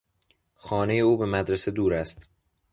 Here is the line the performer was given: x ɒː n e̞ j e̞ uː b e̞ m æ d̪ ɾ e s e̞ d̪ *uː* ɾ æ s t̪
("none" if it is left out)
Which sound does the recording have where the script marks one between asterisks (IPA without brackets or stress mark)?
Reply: uː